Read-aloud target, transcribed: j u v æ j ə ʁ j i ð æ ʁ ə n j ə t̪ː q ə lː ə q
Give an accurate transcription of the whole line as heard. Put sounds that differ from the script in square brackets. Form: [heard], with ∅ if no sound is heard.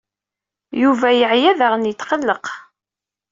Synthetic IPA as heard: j u v æ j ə [ʕ] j [æ] ð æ ʁ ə n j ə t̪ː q ə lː ə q